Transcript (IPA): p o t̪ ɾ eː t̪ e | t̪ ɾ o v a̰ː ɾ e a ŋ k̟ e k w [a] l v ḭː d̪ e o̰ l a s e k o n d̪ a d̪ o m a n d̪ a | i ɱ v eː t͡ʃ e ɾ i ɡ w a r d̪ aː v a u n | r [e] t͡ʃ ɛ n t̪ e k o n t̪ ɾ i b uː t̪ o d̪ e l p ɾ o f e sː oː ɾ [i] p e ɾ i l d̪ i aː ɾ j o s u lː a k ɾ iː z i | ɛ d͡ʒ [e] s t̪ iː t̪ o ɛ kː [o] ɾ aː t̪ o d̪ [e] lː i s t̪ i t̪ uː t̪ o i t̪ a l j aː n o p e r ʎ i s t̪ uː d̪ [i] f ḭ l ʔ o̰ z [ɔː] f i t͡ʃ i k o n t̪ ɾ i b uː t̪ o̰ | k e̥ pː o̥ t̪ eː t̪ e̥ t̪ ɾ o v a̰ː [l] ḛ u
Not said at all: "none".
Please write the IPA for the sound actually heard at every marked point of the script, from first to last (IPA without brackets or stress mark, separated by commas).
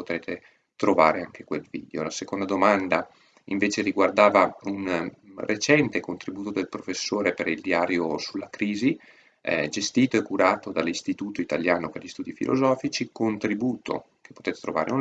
e, e, e, e, u, a, i, ɔː, ɾ